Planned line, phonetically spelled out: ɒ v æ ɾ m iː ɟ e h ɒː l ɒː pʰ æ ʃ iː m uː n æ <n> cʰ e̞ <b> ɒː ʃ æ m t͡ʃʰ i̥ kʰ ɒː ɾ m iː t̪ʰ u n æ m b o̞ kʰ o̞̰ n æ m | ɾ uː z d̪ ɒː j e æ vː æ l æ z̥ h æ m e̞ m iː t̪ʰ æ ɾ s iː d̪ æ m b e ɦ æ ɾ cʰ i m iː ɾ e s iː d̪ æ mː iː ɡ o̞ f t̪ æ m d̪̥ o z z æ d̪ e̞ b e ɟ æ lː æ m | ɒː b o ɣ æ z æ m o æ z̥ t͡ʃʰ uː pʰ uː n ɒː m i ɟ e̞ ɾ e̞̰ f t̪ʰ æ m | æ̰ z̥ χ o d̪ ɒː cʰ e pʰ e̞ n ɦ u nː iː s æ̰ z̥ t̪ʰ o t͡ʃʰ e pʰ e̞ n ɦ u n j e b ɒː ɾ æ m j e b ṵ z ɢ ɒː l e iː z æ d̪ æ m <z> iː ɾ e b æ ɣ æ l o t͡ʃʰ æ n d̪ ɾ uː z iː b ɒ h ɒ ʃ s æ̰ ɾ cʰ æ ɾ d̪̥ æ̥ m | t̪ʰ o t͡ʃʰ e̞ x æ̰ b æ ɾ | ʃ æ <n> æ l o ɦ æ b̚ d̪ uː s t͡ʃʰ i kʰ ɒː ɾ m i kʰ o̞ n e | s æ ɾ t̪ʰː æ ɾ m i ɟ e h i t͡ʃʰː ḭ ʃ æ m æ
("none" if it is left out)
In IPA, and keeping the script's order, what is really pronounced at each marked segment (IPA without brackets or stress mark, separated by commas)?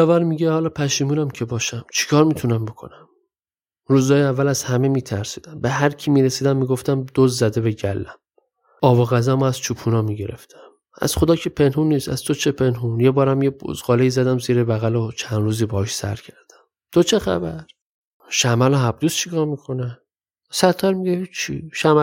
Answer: m, b, z, m